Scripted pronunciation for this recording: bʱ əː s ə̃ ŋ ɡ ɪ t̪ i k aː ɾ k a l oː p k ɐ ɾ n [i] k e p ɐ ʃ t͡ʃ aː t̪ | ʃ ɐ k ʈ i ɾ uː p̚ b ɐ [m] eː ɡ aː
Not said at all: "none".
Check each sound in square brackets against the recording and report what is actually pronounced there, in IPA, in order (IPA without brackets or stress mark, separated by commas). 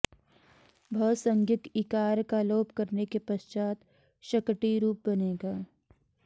e, n